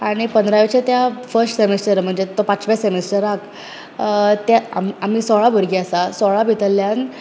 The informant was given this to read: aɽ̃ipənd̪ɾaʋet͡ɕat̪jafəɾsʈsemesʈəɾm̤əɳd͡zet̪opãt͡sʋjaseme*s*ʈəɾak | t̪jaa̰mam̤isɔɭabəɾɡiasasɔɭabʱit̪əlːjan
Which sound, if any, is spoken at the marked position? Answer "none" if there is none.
s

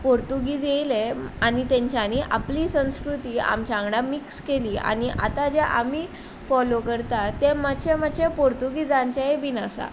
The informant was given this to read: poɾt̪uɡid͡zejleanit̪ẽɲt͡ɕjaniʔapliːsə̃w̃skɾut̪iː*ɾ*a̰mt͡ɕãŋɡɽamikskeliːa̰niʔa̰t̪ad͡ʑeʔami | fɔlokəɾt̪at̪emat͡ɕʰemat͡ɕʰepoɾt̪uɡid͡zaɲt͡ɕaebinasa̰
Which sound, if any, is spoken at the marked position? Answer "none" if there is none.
none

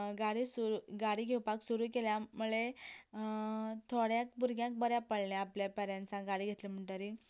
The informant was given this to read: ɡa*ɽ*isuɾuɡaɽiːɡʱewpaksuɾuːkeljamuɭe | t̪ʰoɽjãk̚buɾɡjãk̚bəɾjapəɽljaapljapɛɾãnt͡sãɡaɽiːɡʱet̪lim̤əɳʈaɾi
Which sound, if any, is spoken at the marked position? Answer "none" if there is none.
ɽ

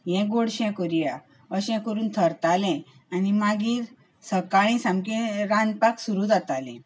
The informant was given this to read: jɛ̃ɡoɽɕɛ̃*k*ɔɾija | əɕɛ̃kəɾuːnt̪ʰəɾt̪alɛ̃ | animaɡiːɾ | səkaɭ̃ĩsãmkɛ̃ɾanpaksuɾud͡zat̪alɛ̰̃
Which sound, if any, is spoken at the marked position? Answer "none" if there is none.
k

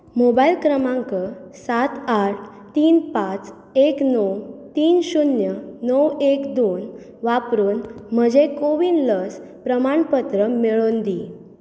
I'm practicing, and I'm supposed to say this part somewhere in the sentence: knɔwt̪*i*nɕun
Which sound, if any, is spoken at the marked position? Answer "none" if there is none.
iː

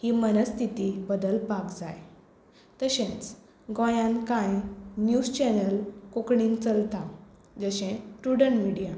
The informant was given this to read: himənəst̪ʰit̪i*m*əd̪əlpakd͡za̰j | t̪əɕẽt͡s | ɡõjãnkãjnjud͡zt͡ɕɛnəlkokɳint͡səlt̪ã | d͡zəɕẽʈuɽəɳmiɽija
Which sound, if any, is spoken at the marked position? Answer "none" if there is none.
b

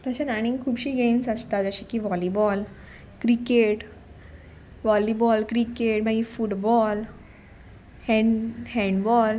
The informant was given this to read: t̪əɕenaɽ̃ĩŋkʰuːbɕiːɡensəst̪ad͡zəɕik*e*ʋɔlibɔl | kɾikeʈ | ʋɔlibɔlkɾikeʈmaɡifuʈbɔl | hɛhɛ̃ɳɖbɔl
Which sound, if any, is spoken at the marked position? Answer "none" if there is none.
i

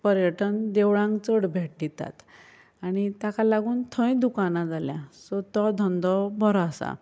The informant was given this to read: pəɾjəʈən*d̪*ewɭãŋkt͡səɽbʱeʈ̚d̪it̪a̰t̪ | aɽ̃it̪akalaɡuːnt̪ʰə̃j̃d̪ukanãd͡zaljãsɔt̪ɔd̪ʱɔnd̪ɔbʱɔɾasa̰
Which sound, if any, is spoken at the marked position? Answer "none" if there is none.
d̪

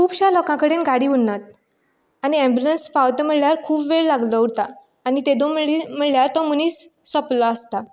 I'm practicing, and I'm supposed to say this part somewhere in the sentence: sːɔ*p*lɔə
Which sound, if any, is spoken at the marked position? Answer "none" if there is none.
p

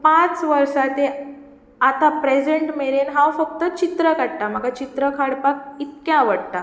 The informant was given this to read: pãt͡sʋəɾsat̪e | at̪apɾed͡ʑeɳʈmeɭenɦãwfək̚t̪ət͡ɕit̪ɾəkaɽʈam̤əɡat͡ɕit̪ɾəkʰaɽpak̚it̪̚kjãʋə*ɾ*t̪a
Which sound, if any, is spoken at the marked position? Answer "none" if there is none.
ɽ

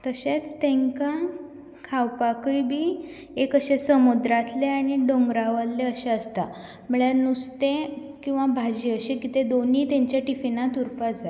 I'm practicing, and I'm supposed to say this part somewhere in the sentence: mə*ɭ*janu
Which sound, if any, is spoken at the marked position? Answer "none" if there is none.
ɭ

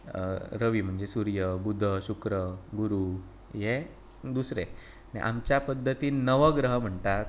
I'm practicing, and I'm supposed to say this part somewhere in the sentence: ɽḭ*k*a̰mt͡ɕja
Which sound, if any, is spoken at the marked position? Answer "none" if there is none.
ʔ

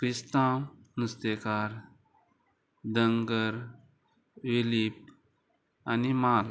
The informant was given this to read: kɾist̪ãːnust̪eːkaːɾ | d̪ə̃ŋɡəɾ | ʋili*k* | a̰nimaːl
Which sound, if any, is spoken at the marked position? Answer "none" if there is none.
p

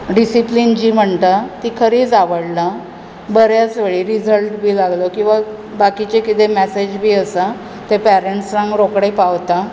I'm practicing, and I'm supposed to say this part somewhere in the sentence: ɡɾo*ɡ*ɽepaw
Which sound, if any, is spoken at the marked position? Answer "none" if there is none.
k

